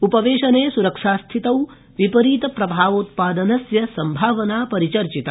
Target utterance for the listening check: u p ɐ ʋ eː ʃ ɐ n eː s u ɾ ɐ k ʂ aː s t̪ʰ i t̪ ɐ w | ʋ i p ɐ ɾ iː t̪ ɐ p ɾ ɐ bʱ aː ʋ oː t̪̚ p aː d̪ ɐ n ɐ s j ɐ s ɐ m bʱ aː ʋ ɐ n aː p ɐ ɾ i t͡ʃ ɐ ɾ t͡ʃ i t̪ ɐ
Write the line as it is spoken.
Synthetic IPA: u p ɐ ʋ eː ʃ ɐ n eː s u ɾ ɐ k ʂ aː s t̪ʰ i t̪ ɐ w | ʋ i p ɐ ɾ iː t̪ ɐ p ɾ ɐ bʱ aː ʋ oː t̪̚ p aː d̪ ɐ n ɐ s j ɐ s ɐ m bʱ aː ʋ ɐ n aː p ɐ ɾ i t͡ʃ ɐ ɾ t͡ʃ i t̪ ɐ